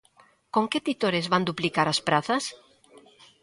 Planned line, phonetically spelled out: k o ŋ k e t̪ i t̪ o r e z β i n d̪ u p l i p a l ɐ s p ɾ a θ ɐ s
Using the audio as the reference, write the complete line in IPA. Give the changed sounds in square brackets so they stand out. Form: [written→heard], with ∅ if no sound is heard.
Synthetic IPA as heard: k o ŋ k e t̪ i t̪ o [r→ɾ] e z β [i→a] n d̪ u p l i [p→k] a [l→ɾ] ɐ s p ɾ a θ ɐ s